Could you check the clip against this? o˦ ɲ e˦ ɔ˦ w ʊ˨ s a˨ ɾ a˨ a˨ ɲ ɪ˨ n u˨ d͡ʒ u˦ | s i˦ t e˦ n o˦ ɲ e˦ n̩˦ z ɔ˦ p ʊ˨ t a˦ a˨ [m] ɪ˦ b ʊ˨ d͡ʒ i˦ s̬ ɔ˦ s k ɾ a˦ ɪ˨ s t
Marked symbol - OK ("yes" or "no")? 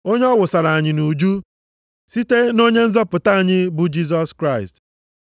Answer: no